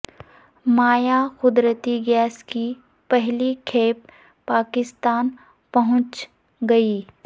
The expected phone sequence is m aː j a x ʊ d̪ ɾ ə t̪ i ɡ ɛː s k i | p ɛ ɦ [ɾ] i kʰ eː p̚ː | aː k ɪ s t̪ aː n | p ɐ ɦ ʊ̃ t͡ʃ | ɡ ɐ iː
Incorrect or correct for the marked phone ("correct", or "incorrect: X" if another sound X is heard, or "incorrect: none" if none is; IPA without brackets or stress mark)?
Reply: incorrect: l